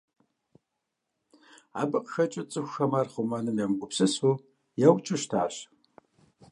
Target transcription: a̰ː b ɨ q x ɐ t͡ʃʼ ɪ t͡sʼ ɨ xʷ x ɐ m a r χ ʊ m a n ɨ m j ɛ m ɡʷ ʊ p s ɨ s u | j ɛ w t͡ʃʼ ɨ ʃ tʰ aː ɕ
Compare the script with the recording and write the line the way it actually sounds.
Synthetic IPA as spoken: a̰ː b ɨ q x ɐ t͡ʃʼ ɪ t͡sʼ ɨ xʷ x ɐ m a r χ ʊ m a n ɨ m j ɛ m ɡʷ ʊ p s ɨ s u | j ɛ w t͡ʃʼ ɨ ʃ tʰ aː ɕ